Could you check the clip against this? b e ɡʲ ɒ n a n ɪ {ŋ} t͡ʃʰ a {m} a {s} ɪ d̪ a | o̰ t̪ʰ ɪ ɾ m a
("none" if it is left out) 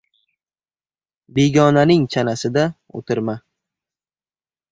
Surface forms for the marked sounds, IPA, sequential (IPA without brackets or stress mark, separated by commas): ŋ, n, s